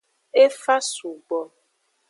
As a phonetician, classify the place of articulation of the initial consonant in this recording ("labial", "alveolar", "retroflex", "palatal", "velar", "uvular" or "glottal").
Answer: labial